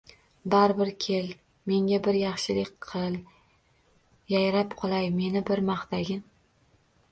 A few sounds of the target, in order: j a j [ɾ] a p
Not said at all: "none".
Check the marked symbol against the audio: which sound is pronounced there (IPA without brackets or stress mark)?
ɾ